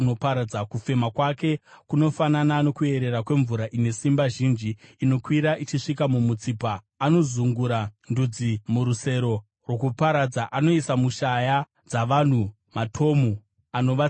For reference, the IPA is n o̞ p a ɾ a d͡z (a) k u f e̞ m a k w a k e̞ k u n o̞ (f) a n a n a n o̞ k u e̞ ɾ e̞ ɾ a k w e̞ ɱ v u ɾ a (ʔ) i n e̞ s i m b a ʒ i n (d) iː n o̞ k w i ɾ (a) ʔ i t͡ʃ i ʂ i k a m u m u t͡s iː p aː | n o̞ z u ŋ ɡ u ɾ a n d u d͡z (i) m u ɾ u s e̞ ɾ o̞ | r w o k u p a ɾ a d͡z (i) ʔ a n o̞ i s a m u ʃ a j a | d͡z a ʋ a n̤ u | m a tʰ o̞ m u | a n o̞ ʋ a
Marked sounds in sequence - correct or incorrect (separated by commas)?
correct, correct, correct, incorrect, correct, correct, incorrect